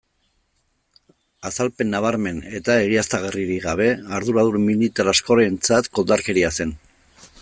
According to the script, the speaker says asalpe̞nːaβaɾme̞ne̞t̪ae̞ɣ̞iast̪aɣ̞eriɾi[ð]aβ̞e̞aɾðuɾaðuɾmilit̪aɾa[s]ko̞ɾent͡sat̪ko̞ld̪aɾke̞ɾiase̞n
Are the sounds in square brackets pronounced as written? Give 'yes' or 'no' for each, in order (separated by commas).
no, yes